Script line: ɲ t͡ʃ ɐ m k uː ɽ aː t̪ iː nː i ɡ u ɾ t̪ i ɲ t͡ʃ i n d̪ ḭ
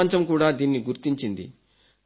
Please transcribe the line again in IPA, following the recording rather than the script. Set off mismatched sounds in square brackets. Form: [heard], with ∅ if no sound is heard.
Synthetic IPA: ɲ t͡ʃ ɐ m k uː ɽ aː [d̪] iː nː i ɡ u ɾ t̪ i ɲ t͡ʃ i n d̪ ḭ